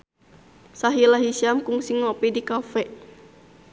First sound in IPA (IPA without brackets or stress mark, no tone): s